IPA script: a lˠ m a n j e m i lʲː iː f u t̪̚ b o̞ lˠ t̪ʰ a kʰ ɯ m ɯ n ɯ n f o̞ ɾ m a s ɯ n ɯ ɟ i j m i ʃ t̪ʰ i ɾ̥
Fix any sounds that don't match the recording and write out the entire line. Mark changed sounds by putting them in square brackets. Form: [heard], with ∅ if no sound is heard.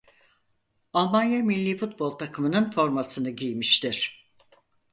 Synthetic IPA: a lˠ m a n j [a] m i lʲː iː f u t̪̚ b o̞ lˠ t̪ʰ a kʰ ɯ m ɯ n ɯ n f o̞ ɾ m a s ɯ n ɯ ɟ i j m i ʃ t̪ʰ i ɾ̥